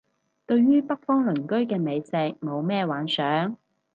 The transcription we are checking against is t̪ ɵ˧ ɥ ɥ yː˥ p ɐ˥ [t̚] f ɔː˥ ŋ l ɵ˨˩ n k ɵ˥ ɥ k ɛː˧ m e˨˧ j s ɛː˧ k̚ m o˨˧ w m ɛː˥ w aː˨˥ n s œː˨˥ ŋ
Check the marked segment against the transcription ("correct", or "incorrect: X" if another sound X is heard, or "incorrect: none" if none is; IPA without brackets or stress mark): incorrect: k̚